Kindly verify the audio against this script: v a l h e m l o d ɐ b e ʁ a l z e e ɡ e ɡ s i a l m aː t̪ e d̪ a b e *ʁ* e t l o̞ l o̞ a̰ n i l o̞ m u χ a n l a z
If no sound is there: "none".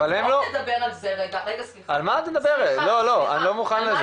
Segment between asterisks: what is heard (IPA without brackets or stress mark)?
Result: ʁ